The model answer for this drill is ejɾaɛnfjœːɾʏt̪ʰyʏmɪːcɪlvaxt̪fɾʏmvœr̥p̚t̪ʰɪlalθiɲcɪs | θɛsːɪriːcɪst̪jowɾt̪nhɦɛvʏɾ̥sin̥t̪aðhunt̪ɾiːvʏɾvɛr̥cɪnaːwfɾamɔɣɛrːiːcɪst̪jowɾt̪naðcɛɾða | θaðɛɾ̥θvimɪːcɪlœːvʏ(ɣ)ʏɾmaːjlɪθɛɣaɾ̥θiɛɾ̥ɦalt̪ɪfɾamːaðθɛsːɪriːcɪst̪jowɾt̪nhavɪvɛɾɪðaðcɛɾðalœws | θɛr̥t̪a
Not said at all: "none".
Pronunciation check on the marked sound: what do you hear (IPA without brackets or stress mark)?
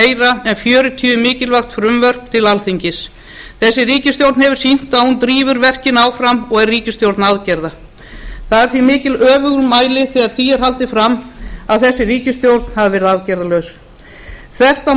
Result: ɣ